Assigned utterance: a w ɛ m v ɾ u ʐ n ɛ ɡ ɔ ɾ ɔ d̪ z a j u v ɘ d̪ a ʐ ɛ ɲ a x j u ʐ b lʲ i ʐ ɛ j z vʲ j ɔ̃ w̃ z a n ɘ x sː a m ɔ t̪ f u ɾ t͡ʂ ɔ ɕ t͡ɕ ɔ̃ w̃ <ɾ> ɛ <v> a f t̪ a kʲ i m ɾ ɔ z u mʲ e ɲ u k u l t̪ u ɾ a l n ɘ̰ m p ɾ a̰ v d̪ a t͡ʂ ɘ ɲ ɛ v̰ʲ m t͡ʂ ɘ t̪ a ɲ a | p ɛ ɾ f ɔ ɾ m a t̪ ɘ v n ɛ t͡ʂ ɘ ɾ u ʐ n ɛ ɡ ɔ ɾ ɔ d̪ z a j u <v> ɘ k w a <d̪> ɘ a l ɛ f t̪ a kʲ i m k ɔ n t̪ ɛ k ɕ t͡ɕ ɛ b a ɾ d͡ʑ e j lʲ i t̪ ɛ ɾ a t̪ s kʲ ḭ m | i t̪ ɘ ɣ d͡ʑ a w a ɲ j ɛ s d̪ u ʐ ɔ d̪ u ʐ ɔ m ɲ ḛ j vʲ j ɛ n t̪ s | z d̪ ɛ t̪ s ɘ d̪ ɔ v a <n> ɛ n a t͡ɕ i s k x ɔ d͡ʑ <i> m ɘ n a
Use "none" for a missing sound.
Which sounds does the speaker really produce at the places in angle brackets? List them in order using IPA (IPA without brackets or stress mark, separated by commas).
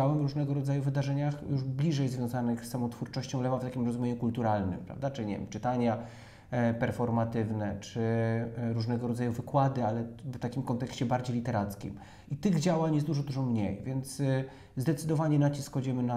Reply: l, v, v, d̪, ɲ, ɛ